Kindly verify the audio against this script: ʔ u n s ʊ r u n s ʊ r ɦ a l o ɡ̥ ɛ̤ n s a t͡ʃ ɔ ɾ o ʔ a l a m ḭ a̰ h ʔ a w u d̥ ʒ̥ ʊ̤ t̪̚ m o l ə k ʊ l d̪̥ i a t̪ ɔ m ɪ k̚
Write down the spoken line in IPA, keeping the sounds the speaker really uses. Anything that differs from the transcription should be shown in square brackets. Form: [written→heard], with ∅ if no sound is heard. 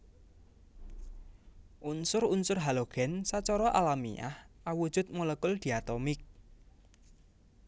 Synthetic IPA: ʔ u n s ʊ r u n s ʊ r ɦ a l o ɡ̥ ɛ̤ n s a t͡ʃ ɔ ɾ [o→ɔ] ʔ a l a m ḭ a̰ h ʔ a w u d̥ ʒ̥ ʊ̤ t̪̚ m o l ə k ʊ l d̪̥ i a t̪ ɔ m ɪ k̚